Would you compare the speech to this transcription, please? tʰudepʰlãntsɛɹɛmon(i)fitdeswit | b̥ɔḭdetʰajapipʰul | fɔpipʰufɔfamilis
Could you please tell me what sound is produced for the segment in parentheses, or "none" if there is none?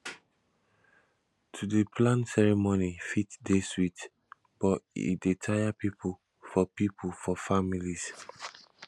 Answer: i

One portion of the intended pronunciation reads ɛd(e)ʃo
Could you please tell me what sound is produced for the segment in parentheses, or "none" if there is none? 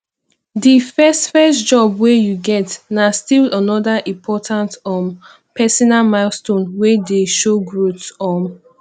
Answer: e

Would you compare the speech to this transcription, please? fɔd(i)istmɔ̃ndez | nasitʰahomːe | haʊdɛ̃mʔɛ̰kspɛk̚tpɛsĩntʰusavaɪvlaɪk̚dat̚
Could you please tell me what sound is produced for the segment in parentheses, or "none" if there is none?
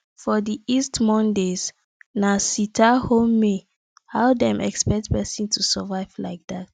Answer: i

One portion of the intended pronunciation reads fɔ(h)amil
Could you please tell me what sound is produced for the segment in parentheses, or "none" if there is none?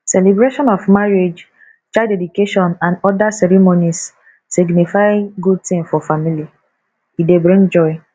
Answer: f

